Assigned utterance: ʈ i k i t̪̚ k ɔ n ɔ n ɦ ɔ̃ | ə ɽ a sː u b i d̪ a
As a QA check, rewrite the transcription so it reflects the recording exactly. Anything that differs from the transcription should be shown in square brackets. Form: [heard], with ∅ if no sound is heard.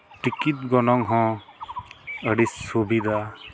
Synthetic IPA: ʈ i k i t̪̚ [ɡ] ɔ n ɔ [ŋ] ɦ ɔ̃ | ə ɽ [i] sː u b i d̪ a